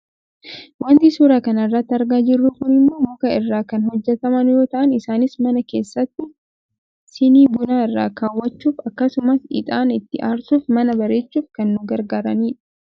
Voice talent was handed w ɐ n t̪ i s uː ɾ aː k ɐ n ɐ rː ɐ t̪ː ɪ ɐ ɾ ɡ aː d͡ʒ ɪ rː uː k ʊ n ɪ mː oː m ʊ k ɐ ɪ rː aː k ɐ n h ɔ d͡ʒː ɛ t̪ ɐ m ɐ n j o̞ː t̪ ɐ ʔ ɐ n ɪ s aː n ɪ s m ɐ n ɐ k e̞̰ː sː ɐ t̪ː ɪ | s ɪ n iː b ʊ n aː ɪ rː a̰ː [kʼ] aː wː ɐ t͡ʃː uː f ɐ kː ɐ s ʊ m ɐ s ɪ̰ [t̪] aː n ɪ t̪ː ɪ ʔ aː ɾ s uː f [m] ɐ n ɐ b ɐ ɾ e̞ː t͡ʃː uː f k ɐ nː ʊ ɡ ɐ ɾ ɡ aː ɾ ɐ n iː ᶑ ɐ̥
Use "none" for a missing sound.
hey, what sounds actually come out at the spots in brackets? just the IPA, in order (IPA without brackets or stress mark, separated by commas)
k, t̪ʼ, m